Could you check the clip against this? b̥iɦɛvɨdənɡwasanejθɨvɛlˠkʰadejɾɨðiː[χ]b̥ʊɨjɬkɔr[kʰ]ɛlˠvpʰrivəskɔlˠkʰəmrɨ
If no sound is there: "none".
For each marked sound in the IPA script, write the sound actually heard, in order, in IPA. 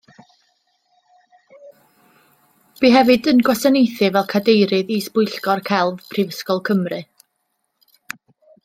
s, kʰ

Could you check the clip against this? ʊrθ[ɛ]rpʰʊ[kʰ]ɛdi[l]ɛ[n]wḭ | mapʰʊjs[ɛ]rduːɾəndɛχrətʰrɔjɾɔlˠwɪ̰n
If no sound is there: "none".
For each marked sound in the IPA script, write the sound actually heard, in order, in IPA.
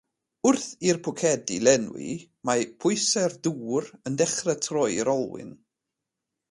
i, kʰ, l, n, ɛ

